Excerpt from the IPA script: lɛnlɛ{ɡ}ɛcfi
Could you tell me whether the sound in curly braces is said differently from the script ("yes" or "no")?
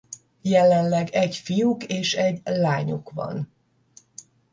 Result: no